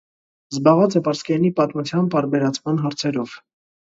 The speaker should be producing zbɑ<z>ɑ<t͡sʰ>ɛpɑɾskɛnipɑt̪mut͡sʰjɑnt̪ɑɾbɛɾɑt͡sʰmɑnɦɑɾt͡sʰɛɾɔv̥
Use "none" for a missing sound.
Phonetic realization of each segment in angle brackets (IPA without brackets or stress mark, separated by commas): ʁ, t͡s